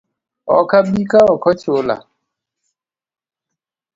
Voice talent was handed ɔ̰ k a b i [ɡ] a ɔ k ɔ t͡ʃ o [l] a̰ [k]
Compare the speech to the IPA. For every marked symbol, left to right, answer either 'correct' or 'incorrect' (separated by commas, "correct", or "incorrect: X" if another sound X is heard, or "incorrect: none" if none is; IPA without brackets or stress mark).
incorrect: k, correct, incorrect: none